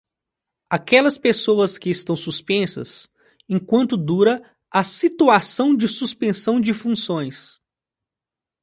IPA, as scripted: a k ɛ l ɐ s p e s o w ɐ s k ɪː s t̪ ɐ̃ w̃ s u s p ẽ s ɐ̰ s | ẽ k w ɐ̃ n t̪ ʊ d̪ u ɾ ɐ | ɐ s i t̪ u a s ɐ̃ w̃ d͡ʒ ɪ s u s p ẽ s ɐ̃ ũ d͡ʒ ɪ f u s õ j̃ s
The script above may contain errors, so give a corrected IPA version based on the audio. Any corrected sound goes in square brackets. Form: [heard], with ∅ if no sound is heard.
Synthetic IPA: a k ɛ l ɐ s p e s o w ɐ s k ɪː s t̪ ɐ̃ w̃ s u s p ẽ s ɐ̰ s | ẽ k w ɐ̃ n t̪ ʊ d̪ u ɾ ɐ | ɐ s i t̪ u a s ɐ̃ w̃ d͡ʒ ɪ s u s p ẽ s ɐ̃ [w̃] d͡ʒ ɪ f [ũ] s õ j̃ s